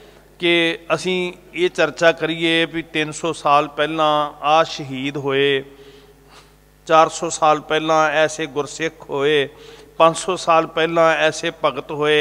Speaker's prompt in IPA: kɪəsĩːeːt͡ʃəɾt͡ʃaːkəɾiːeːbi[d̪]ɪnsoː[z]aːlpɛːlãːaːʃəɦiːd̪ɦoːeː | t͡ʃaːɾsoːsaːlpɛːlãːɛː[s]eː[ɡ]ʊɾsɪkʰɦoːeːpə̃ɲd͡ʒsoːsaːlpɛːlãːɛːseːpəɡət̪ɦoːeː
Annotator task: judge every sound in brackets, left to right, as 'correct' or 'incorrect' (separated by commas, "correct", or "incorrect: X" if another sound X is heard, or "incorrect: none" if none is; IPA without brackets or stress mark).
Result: incorrect: t̪, incorrect: s, correct, correct